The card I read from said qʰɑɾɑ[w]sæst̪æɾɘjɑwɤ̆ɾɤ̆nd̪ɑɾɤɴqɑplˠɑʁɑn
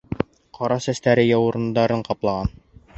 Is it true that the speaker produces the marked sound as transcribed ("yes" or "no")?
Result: no